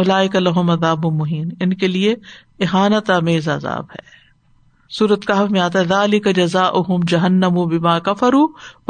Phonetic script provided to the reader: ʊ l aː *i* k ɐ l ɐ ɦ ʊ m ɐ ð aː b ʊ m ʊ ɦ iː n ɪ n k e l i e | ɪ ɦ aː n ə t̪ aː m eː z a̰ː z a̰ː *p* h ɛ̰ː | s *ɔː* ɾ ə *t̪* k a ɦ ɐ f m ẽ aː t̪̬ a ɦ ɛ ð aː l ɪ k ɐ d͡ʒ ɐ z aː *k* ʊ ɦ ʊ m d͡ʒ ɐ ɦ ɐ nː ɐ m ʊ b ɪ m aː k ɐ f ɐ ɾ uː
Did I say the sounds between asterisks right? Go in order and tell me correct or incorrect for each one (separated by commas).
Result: incorrect, incorrect, incorrect, correct, incorrect